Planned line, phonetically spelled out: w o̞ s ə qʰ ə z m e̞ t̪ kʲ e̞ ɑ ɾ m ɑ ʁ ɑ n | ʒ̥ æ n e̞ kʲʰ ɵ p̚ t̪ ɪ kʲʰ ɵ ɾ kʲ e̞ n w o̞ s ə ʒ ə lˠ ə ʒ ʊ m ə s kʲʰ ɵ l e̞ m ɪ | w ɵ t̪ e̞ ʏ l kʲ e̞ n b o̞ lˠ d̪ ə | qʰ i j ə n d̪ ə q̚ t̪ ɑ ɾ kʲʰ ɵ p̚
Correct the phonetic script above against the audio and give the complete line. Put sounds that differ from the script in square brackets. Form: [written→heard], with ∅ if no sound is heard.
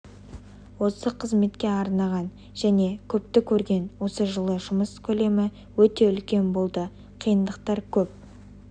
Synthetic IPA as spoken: w o̞ s ə qʰ ə z m e̞ t̪ kʲ e̞ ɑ ɾ [m→n] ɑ ʁ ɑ n | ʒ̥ æ n e̞ kʲʰ ɵ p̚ t̪ ɪ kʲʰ ɵ ɾ [kʲ→ɡʲ] e̞ n w o̞ s ə ʒ ə lˠ ə ʒ ʊ m ə s kʲʰ ɵ l e̞ m ɪ | w ɵ t̪ e̞ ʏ l kʲ e̞ n b o̞ lˠ d̪ ə | qʰ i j ə n d̪ ə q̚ t̪ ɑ ɾ kʲʰ ɵ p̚